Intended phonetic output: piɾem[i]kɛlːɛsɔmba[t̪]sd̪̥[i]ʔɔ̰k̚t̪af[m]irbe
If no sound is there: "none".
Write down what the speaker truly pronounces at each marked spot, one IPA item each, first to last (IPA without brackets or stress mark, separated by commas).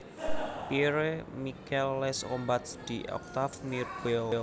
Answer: i, t̪, i, m